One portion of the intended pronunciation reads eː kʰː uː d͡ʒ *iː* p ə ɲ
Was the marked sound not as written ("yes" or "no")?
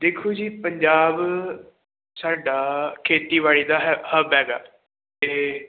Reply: no